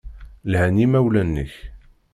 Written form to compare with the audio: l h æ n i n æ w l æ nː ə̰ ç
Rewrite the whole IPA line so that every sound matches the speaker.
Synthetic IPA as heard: l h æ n i m æ w l æ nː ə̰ ç